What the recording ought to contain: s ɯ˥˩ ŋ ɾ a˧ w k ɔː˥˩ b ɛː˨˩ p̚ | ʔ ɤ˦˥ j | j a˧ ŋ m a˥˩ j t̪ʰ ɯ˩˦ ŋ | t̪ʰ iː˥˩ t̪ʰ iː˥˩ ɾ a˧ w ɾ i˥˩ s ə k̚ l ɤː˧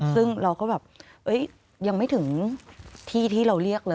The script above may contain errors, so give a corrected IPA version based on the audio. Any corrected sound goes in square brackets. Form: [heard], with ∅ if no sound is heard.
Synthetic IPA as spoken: s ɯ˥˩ ŋ ɾ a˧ w k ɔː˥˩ b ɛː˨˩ p̚ | ʔ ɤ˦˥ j | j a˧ ŋ m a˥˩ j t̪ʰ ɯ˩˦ ŋ | t̪ʰ iː˥˩ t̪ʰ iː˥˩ ɾ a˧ w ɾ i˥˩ [∅] ə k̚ l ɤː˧